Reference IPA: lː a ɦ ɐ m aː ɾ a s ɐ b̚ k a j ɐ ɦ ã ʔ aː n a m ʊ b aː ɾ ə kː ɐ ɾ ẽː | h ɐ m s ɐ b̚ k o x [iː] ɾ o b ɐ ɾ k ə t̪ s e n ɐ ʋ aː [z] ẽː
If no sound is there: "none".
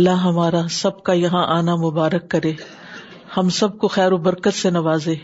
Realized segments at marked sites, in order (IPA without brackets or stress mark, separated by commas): ɛː, z